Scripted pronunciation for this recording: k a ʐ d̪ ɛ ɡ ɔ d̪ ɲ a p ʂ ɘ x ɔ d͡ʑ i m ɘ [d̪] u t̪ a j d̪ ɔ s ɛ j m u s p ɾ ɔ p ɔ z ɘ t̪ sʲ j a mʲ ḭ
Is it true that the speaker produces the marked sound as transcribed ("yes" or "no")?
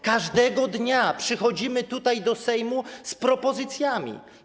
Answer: no